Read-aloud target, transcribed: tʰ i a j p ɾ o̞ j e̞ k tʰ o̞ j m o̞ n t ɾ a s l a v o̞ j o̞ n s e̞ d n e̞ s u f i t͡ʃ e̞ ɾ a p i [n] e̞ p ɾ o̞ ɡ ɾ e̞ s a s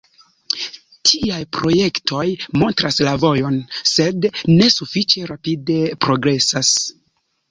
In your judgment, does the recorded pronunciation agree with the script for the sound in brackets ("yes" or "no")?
no